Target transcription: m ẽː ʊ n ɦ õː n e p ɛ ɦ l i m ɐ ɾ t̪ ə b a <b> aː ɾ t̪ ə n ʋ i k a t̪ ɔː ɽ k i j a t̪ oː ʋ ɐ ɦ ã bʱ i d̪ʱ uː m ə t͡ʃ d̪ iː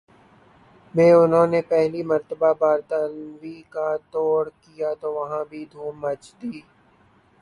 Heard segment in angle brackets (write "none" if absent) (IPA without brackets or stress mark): b